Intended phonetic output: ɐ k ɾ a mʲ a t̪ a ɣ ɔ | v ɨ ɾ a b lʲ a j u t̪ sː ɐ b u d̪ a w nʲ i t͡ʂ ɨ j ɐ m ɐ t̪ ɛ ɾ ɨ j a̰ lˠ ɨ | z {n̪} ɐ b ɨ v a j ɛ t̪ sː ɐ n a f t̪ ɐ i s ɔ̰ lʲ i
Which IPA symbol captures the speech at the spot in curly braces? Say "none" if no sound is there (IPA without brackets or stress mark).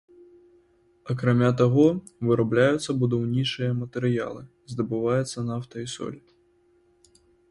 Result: d̪